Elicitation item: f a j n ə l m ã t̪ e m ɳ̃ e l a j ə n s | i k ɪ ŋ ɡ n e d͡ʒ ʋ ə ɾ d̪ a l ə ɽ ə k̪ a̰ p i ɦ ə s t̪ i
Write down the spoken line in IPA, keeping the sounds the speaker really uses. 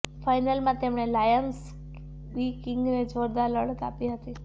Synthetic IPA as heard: f a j n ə l m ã t̪ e m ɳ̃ e l a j ə n s | i k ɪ ŋ ɡ n e d͡ʒ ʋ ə ɾ d̪ a l ə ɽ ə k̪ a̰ p i ɦ ə t̪ i